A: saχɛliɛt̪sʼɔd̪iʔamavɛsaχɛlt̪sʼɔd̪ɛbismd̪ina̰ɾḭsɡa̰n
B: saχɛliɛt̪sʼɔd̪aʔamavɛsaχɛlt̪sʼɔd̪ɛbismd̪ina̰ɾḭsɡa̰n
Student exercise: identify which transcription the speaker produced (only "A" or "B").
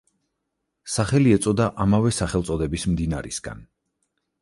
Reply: B